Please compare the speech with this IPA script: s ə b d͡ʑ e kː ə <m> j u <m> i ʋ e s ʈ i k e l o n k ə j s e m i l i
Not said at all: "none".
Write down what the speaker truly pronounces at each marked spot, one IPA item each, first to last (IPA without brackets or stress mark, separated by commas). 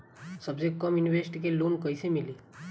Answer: m, n